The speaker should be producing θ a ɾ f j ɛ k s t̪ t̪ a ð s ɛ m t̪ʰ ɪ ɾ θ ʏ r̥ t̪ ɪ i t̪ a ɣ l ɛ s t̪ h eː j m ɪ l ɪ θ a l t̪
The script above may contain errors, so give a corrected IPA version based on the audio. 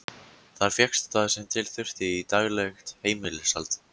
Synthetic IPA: θ a ɾ f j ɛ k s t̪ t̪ a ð s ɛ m t̪ʰ ɪ l θ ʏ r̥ t̪ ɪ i t̪ a ɣ l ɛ x t̪ h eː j m ɪ l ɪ s a l t̪